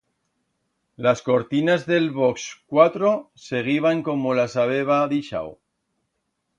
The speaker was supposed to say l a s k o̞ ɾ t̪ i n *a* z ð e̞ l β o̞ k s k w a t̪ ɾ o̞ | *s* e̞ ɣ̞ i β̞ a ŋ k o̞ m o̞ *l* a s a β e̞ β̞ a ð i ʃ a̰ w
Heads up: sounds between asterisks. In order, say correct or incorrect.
correct, correct, correct

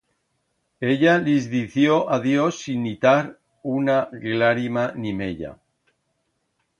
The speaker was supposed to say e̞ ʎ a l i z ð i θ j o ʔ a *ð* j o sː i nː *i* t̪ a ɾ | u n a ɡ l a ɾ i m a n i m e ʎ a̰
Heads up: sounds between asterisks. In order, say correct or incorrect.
correct, correct

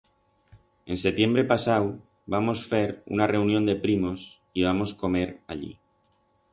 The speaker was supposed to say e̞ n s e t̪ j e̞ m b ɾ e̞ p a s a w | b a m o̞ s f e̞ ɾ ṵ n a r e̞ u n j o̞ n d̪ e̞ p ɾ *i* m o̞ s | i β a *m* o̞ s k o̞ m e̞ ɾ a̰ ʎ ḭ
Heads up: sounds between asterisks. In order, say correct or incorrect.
correct, correct

